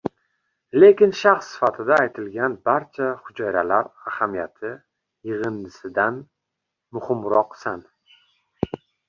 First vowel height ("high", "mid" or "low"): mid